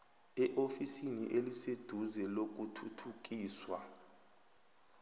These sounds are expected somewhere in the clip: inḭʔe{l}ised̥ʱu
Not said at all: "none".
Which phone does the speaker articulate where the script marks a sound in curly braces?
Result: l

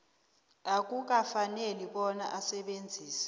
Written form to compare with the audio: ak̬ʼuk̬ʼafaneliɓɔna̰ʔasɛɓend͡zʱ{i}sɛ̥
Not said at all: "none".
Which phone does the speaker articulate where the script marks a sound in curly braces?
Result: iː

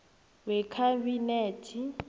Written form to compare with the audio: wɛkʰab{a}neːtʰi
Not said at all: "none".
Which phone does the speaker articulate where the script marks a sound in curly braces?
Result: i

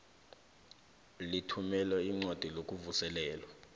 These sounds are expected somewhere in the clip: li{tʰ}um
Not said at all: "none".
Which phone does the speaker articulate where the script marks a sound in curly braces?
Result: tʰ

